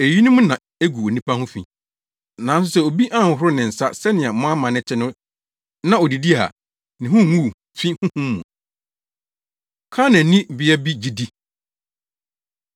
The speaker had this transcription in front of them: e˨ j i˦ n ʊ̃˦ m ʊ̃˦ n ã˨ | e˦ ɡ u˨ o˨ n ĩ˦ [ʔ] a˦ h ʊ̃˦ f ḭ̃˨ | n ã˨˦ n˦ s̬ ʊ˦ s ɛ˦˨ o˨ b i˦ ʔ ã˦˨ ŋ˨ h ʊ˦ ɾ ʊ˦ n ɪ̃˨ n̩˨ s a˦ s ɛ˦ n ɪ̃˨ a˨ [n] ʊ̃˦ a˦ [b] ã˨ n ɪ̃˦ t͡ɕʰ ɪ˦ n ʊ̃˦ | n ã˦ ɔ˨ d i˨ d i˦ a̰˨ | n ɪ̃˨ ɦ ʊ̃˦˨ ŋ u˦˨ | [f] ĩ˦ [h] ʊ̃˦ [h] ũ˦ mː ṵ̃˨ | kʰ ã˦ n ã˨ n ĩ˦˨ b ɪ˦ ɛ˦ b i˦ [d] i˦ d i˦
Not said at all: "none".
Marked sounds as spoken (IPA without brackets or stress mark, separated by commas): p, m, m, f, h, h, d͡ʑ